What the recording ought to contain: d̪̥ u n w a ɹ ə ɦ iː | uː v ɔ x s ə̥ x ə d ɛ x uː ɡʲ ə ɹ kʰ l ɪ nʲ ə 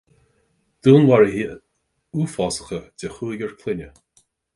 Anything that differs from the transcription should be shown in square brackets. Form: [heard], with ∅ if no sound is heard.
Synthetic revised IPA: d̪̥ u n w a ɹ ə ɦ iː | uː [f] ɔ [∅] s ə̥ x ə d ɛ x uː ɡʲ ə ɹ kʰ l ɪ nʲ ə